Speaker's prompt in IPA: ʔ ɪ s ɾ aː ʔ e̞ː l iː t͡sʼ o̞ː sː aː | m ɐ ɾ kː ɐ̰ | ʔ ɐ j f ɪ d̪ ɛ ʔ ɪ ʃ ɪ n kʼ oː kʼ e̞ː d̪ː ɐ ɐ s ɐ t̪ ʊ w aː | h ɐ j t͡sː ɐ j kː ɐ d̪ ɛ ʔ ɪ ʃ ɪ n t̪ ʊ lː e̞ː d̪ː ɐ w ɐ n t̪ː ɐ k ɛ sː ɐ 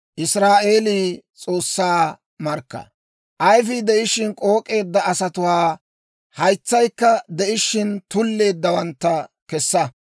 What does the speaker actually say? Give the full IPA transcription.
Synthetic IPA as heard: ʔ ɪ s ɾ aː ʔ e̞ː l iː t͡sʼ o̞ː sː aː | m ɐ ɾ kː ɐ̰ | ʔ ɐ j f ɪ d̪ ɛ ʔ ɪ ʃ ɪ n kʼ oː kʼ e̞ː d̪ː ɐ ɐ s ɐ t̪ ʊ w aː | h ɐ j t͡sː ɐ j kː ɐ d̪ ɛ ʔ ɪ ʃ ɪ n t̪ ʊ lː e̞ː d̪ː ɐ w ɐ n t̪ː ɐ k ɛ sː ɐ